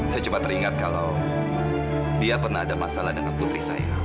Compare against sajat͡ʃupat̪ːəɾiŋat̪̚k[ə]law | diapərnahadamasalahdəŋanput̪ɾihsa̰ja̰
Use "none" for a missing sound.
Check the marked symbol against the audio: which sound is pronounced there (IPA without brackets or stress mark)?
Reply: a